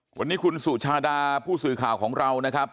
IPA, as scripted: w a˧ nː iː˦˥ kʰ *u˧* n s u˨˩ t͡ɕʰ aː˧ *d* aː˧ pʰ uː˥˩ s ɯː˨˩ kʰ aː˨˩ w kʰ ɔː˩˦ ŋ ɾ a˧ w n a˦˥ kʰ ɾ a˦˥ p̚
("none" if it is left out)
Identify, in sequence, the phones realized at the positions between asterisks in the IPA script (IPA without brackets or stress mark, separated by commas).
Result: u˧, d